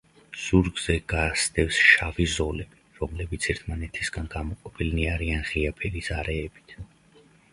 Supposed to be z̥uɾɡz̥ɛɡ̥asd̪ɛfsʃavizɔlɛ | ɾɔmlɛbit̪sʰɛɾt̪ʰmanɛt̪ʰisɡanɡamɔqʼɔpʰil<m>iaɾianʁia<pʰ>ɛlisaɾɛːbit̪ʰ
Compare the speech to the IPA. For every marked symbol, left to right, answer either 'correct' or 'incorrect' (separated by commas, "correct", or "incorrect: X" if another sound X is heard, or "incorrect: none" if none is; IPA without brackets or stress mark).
incorrect: n, correct